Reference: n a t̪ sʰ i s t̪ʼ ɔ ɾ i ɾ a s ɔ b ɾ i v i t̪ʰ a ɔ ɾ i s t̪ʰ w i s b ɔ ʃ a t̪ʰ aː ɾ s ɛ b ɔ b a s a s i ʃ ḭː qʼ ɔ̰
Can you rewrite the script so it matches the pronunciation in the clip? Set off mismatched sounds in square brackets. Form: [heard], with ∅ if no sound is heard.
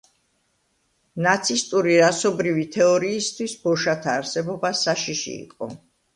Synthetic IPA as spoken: n a t̪ sʰ i s t̪ʼ [u] ɾ i ɾ a s ɔ b ɾ i v i t̪ʰ [ɛ] ɔ ɾ [iː] s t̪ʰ w i s b ɔ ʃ a t̪ʰ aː ɾ s ɛ b ɔ b a s a [ʃ] i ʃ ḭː qʼ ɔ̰